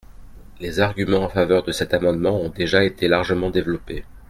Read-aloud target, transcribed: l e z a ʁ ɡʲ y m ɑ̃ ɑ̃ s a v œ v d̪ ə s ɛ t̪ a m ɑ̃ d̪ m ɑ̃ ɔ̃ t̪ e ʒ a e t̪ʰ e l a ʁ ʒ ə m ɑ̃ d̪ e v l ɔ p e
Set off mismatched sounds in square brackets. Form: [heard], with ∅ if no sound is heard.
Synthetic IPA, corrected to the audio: l e z a ʁ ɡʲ y m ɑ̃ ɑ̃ [f] a v œ [ʁ] d̪ ə s ɛ t̪ a m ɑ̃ d̪ m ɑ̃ ɔ̃ [d̪] e ʒ a e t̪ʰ e l a ʁ ʒ ə m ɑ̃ d̪ e v l ɔ p e